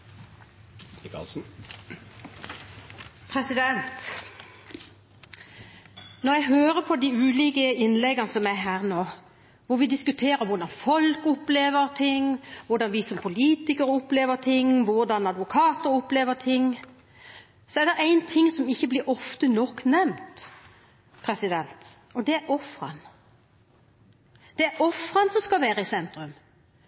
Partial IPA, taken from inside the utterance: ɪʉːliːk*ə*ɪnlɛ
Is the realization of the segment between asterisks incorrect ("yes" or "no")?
no